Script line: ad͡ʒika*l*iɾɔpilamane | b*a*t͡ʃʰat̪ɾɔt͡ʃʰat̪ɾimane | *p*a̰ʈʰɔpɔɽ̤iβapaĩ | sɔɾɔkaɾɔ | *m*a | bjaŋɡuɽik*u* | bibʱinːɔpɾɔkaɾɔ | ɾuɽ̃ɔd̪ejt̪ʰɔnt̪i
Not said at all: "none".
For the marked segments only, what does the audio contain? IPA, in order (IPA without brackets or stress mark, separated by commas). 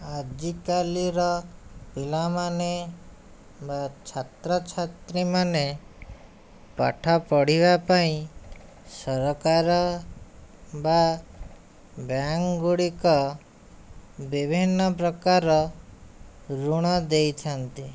l, a, p, b, ɔ